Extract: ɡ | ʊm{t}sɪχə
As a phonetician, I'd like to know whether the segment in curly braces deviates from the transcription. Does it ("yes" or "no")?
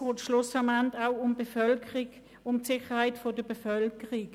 no